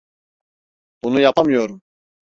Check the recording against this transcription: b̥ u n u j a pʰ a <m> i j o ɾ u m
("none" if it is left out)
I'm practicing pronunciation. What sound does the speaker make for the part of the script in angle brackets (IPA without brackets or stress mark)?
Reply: m